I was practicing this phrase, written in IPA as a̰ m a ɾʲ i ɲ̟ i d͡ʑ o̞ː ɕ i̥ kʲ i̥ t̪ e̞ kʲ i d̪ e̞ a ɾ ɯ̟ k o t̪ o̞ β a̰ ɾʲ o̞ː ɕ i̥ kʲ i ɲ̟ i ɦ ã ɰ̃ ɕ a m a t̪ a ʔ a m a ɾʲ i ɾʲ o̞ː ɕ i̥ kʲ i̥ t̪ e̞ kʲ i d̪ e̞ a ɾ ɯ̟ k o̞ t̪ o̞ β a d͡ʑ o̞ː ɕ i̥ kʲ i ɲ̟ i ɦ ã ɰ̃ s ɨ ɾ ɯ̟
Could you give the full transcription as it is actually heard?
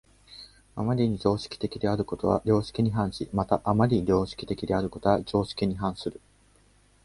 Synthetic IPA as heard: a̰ m a ɾʲ i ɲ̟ i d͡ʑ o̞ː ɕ i̥ kʲ i̥ t̪ e̞ kʲ i d̪ e̞ a ɾ ɯ̟ k o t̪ o̞ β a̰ ɾʲ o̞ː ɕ i̥ kʲ i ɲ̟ i ɦ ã ɰ̃ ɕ i m a t̪ a ʔ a m a ɾʲ i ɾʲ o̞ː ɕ i̥ kʲ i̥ t̪ e̞ kʲ i d̪ e̞ a ɾ ɯ̟ k o̞ t̪ o̞ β a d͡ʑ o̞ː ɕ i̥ kʲ i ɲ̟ i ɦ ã ɰ̃ s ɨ ɾ ɯ̟